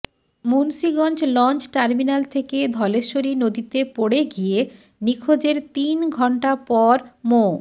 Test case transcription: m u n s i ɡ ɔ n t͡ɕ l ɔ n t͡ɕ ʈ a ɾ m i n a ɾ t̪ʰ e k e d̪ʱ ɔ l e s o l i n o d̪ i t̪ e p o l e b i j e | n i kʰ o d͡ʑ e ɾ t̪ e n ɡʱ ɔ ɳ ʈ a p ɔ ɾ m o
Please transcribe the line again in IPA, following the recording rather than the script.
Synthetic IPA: m u n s i ɡ ɔ n t͡ɕ l ɔ n t͡ɕ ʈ a ɾ m i n a l t̪ʰ e k e d̪ʱ ɔ l e ʃ o ɾ i n o d̪ i t̪ e p o ɽ e ɡ i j e | n i kʰ o d͡ʑ e ɾ t̪ i n ɡʱ ɔ ɳ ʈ a p ɔ ɾ m o